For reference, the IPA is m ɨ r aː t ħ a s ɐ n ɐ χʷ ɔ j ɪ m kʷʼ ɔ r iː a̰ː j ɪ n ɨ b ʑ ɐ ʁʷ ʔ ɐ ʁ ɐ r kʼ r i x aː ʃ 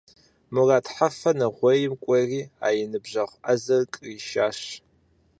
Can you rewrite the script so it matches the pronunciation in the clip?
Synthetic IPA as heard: m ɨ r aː t ħ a f ɐ n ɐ ʁʷ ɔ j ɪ m kʷʼ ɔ r iː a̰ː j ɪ n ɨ b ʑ ɐ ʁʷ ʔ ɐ z ɐ r kʼ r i ʃ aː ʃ